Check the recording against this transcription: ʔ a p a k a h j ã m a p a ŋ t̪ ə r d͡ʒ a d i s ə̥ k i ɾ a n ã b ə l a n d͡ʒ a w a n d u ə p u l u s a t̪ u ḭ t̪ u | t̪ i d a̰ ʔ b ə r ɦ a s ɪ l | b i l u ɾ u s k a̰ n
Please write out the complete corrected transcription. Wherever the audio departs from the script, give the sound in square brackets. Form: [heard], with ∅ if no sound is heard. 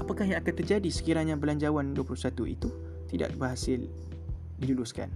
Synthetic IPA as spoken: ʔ a p a k a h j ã [ŋ] a [k] a [n] t̪ ə r d͡ʒ a d i s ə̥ k i ɾ a [ɲ] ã b ə l a [ɲ] d͡ʒ a w a n d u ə p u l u s a t̪ u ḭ t̪ u | t̪ i d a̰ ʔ b ə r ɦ a s ɪ l | [d] i l u [l] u s k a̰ n